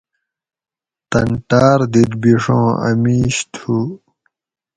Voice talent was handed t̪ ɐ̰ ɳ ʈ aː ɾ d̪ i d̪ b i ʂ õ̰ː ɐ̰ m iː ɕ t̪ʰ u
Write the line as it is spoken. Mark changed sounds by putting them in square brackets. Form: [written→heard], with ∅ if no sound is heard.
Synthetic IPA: t̪ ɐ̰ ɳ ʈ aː ɾ d̪ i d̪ b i ʂ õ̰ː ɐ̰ m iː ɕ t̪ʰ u